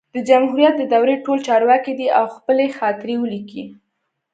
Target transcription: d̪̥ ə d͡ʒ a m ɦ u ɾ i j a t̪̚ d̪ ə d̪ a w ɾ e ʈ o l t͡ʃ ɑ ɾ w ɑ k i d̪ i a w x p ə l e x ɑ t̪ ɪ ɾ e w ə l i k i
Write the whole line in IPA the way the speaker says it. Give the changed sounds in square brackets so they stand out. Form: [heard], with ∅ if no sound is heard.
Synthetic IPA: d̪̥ ə d͡ʒ a m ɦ u ɾ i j a t̪̚ d̪ ə d̪ a w ɾ e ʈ o l t͡ʃ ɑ ɾ w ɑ k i d̪ i a w x p ə l e x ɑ t̪ ɪ ɾ e w ə l i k i